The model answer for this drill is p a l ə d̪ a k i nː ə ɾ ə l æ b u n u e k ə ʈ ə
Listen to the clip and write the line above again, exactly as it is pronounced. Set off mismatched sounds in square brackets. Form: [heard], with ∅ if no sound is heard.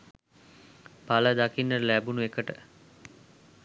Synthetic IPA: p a l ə d̪ a k i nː ə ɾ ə l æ b u n u e k ə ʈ ə